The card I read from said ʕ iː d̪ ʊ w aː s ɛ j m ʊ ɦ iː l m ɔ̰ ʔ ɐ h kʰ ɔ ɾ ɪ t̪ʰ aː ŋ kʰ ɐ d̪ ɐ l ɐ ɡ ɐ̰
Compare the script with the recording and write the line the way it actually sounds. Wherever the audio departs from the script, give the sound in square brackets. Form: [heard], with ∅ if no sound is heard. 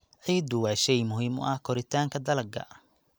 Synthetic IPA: ʕ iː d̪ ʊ w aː [ʃ] ɛ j m ʊ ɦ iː [∅] m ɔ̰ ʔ ɐ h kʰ ɔ ɾ ɪ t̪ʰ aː ŋ kʰ ɐ d̪ ɐ l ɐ ɡ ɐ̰